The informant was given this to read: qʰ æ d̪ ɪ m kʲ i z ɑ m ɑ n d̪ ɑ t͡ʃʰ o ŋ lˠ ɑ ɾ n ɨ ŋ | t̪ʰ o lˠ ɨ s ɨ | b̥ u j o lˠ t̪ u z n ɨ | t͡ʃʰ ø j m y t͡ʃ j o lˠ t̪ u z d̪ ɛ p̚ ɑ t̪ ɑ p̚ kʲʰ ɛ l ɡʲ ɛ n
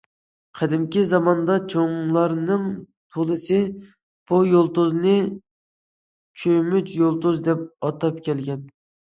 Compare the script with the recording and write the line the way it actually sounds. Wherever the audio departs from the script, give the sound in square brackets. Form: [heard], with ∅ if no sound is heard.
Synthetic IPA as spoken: qʰ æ d̪ ɪ m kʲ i z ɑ m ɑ n d̪ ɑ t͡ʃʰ o ŋ lˠ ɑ ɾ n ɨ ŋ | t̪ʰ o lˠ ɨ s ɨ | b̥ u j o lˠ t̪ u z n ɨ | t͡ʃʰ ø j m y t͡ʃ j o lˠ t̪ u z d̪ ɛ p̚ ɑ t̪ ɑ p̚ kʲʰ ɛ l ɡʲ ɛ n